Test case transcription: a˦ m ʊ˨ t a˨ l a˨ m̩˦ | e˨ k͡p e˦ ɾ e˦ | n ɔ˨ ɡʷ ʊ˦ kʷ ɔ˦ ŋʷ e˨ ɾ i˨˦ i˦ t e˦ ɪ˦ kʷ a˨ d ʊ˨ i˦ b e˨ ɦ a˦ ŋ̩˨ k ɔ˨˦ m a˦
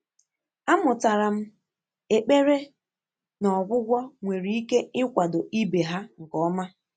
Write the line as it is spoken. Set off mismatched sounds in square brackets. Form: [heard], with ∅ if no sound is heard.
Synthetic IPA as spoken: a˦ m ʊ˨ t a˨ [ɾ] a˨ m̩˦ | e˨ k͡p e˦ ɾ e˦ | n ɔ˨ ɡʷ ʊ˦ [ɡʷ] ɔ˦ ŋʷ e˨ ɾ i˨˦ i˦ [k] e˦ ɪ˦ kʷ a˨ d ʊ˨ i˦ b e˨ ɦ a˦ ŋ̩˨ k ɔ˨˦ m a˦